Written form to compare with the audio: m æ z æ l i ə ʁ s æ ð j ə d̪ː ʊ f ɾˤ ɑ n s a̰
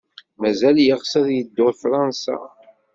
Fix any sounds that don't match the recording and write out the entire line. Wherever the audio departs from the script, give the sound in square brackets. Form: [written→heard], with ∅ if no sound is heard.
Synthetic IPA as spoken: m æ z æ l [i→j] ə ʁ s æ ð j ə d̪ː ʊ f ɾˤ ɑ n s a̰